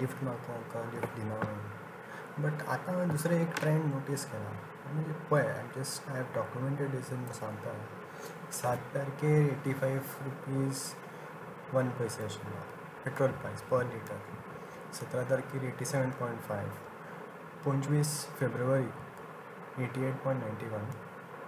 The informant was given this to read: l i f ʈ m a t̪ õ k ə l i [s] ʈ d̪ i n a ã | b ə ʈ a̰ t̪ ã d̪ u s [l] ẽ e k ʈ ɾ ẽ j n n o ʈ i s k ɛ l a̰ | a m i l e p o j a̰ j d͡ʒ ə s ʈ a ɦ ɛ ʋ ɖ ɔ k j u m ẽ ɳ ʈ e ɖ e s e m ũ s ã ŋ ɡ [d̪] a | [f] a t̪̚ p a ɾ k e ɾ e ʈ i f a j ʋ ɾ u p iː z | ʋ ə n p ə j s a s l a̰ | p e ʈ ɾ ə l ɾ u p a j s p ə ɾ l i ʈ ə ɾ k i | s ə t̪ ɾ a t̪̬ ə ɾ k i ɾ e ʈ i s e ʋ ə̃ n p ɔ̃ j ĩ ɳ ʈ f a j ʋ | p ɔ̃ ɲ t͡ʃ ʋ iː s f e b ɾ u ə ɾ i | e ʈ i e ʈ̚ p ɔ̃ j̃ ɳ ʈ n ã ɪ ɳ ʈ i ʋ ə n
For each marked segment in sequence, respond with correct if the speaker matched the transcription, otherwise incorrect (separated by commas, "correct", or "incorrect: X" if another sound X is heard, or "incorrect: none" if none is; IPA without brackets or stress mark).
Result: incorrect: f, incorrect: ɾ, incorrect: t̪, incorrect: s